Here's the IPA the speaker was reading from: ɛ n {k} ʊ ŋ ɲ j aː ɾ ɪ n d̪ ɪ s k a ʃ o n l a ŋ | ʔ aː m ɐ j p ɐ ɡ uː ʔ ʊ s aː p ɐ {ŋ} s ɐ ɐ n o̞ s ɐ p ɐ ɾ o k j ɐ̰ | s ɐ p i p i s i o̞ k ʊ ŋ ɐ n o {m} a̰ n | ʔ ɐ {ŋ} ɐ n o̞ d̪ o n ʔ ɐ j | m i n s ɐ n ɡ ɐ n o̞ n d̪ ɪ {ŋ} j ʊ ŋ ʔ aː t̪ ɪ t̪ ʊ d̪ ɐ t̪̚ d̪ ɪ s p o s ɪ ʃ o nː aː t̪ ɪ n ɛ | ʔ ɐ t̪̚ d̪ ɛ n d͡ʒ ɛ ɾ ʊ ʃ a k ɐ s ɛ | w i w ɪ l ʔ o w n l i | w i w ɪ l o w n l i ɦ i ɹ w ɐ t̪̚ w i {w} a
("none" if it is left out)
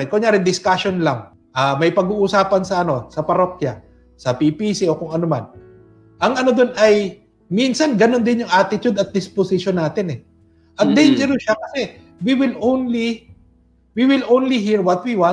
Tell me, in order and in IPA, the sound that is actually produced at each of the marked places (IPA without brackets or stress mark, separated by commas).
k, n, m, ŋ, n, w